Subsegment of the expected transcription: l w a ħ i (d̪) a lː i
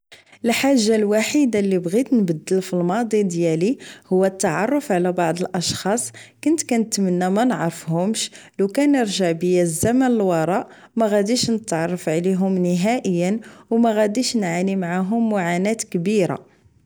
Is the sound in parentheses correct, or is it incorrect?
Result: correct